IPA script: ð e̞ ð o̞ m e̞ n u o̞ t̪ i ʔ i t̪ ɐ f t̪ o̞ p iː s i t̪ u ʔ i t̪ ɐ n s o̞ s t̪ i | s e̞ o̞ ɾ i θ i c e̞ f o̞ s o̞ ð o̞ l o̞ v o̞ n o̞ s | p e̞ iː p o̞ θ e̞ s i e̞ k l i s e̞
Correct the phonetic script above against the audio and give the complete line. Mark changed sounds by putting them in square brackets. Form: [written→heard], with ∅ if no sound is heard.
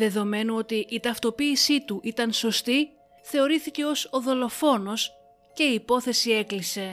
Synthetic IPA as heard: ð e̞ ð o̞ m e̞ n u o̞ t̪ i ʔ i t̪ ɐ f t̪ o̞ p iː s i t̪ u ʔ i t̪ ɐ n s o̞ s t̪ i | [s→θ] e̞ o̞ ɾ i θ i c e̞ [f→∅] o̞ s o̞ ð o̞ l o̞ [v→f] o̞ n o̞ s | [p→c] e̞ iː p o̞ θ e̞ s i e̞ k l i s e̞